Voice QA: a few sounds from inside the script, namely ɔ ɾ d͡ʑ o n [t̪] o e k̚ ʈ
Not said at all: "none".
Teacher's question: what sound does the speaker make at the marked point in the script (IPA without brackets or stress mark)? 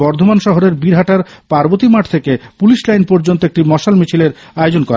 t̪